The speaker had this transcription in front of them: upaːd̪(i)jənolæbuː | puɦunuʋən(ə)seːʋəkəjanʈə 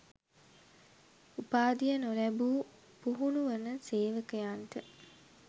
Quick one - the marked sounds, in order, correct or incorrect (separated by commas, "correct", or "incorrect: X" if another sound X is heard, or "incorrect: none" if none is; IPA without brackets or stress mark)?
correct, correct